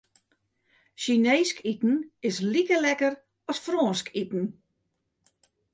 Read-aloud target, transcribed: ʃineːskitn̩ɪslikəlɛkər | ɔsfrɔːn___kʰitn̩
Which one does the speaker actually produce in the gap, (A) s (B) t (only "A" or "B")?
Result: A